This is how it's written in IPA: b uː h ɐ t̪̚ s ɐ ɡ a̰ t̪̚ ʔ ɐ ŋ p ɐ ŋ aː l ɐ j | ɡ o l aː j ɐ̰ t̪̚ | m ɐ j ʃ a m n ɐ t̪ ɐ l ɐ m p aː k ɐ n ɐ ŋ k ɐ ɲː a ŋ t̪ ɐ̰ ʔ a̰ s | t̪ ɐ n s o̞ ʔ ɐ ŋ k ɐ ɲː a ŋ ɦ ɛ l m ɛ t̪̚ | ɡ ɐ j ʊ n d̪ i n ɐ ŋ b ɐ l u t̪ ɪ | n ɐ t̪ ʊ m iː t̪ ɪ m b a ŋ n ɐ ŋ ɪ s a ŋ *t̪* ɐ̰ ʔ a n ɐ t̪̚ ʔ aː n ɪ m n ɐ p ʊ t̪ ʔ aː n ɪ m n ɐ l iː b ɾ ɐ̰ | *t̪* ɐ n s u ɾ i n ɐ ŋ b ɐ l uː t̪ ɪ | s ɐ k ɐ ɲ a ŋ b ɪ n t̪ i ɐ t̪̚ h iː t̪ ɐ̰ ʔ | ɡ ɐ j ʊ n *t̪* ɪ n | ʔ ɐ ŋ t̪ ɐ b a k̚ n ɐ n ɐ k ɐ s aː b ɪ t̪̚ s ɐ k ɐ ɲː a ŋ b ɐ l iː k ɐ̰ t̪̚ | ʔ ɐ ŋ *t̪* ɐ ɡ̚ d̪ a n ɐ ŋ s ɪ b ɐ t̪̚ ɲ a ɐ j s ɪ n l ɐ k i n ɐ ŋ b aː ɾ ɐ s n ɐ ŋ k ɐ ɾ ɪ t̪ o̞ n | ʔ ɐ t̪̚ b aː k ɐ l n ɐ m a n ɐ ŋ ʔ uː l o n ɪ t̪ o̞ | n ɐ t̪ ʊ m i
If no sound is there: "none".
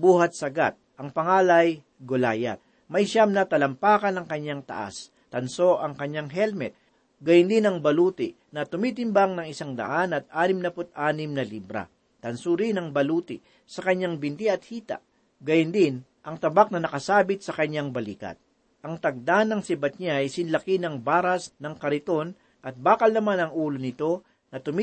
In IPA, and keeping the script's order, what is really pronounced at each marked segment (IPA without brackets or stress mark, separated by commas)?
d̪, t̪, d̪, t̪